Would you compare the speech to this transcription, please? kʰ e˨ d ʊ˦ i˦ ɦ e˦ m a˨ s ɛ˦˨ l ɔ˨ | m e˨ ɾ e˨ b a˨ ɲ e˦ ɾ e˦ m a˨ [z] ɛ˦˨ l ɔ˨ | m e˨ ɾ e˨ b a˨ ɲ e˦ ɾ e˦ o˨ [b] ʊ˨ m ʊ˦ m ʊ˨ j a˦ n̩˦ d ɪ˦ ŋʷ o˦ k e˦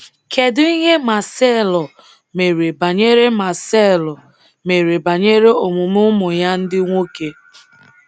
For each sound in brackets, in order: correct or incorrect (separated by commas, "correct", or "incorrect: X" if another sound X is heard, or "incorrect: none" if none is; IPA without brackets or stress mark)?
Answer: incorrect: s, incorrect: m